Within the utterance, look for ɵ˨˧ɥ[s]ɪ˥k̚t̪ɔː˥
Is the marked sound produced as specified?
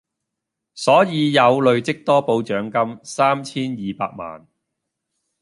no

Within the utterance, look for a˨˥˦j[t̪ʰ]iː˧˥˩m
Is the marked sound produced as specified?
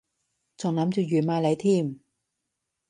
yes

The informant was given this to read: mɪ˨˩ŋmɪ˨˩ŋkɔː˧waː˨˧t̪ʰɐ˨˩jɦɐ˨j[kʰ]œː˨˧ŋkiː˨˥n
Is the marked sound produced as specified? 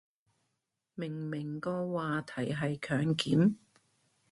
yes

